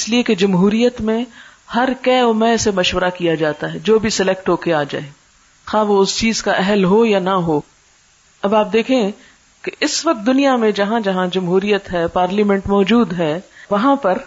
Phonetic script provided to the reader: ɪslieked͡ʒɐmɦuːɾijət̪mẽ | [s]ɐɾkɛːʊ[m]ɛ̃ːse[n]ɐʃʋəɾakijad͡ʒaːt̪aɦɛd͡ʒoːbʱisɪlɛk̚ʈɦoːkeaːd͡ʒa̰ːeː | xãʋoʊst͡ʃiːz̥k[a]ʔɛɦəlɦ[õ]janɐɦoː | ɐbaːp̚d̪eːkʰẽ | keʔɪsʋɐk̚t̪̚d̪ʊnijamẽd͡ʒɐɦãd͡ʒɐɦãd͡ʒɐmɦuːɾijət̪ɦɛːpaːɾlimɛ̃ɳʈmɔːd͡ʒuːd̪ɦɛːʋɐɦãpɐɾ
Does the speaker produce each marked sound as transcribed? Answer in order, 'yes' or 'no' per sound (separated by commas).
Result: no, yes, no, yes, no